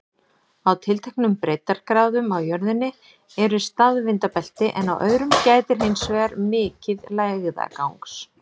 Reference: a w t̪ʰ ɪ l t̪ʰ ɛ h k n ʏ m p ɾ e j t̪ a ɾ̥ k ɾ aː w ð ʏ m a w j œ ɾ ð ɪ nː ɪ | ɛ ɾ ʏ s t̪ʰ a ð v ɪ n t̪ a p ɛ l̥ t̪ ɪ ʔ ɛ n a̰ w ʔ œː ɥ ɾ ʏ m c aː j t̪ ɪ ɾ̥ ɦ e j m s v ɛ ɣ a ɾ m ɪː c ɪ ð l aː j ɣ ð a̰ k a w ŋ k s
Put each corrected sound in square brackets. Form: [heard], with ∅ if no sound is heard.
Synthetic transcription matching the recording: a w t̪ʰ ɪ l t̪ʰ ɛ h k n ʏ m p ɾ e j t̪ a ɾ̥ k ɾ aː w ð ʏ m a w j œ ɾ ð ɪ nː ɪ | ɛ ɾ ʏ s [t̪] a ð v ɪ n t̪ a p ɛ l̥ t̪ ɪ ʔ ɛ n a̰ w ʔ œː ɥ ɾ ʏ m c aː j t̪ ɪ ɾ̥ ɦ e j [n] s v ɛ ɣ a ɾ m ɪː c ɪ ð l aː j ɣ ð a̰ k a w ŋ k s

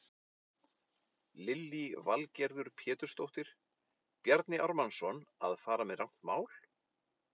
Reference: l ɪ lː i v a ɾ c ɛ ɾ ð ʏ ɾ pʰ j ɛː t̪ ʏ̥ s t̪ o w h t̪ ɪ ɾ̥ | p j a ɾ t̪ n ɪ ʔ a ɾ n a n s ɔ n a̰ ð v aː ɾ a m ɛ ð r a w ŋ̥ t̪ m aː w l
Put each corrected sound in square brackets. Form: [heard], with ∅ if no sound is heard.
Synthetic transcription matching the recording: l ɪ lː i v a [l] c ɛ ɾ ð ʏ ɾ pʰ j ɛː t̪ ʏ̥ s t̪ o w h t̪ ɪ ɾ̥ | p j a ɾ t̪ n ɪ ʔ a ɾ [m] a n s ɔ n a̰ ð [f] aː ɾ a m ɛ ð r a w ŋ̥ t̪ m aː w l

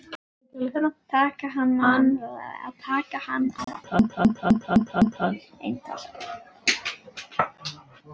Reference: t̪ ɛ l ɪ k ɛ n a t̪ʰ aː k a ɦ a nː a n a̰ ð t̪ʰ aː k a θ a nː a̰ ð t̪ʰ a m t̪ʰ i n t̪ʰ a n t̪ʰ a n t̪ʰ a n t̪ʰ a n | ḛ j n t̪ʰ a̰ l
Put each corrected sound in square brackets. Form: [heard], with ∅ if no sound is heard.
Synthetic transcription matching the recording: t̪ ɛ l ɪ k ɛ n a t̪ʰ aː k a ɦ a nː a n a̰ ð t̪ʰ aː k a [h] a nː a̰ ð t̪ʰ a [n] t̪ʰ [a] n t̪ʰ a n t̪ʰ a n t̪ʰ a n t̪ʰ a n | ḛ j n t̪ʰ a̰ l

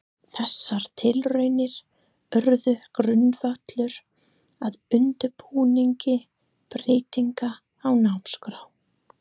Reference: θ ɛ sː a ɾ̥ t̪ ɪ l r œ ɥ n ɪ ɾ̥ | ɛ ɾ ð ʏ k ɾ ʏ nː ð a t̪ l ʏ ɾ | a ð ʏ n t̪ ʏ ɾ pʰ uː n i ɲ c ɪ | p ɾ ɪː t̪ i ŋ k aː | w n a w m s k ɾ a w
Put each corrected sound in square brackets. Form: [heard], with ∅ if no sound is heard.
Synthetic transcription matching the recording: θ ɛ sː a ɾ̥ [t̪ʰ] ɪ l r œ ɥ n ɪ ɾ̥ | [œ] ɾ ð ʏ k ɾ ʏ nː [v] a t̪ l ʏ ɾ | a ð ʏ n t̪ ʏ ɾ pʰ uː n i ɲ c ɪ | p ɾ ɪː t̪ i ŋ k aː | w n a w m s k ɾ a w

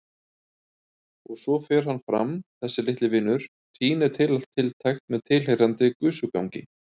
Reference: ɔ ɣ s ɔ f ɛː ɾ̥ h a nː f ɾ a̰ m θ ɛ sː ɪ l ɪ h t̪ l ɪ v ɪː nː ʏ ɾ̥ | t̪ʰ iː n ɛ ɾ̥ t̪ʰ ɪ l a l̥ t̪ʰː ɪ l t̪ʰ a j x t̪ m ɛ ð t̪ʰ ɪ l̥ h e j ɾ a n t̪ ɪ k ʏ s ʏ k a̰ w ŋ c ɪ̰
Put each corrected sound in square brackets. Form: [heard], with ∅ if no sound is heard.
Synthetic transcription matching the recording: ɔ ɣ s ɔ f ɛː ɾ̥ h a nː f ɾ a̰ m θ ɛ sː ɪ l ɪ h t̪ l ɪ v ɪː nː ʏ ɾ̥ | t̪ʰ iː n ɛ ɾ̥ t̪ʰ ɪ l a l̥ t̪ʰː ɪ l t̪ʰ a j x t̪ m ɛ ð t̪ʰ ɪ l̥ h e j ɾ a n t̪ ɪ k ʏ s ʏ k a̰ w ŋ c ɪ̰

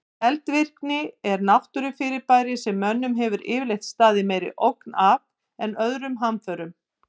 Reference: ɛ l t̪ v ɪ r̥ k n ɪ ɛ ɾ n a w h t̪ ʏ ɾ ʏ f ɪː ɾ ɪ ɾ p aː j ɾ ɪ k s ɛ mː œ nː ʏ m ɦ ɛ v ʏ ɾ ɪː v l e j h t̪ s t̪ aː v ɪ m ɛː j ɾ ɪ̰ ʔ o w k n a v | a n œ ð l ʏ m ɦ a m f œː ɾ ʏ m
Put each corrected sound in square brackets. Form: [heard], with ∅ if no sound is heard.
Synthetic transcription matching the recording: ɛ l t̪ v ɪ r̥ k n ɪ ɛ ɾ n a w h t̪ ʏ ɾ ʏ f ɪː ɾ ɪ ɾ p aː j ɾ ɪ [∅] s ɛ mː œ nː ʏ m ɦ ɛ v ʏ ɾ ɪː v l e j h t̪ s t̪ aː [ð] ɪ m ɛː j ɾ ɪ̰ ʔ o w k n a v | [ɛ] n œ ð [ɾ] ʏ m ɦ a m f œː ɾ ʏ m

